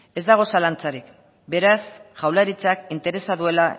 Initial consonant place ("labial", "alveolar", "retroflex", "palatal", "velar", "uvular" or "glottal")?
alveolar